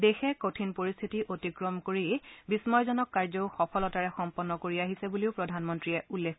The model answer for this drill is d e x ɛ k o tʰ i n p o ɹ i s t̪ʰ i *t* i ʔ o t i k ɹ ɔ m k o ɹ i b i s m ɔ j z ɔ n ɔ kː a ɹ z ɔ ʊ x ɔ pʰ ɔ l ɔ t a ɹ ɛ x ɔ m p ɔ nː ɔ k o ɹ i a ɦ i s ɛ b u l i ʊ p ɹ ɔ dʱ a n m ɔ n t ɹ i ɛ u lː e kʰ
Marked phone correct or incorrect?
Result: correct